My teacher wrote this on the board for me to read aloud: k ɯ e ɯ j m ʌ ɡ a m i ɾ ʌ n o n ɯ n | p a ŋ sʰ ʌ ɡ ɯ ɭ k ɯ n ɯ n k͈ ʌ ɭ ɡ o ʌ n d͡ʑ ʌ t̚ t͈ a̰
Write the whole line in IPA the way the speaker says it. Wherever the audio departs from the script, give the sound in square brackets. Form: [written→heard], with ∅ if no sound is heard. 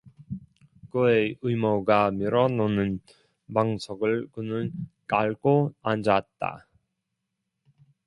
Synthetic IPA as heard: k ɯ e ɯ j m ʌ ɡ a m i ɾ ʌ n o n ɯ n | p a ŋ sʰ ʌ ɡ ɯ ɭ k ɯ n ɯ n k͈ [ʌ→a] ɭ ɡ o [ʌ→a] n d͡ʑ [ʌ→a] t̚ t͈ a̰